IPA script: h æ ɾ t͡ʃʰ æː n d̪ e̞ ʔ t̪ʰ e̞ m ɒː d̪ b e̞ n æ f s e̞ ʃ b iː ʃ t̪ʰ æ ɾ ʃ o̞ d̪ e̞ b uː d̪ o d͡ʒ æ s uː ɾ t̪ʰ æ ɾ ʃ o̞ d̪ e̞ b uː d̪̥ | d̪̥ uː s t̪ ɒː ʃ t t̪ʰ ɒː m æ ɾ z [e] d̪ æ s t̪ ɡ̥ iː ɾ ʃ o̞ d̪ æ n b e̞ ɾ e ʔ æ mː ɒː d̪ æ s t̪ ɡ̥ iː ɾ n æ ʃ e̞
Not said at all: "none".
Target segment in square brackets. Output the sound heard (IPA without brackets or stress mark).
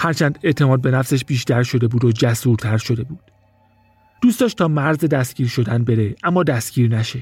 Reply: e